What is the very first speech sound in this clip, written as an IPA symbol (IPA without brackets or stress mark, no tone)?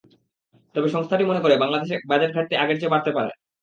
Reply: t̪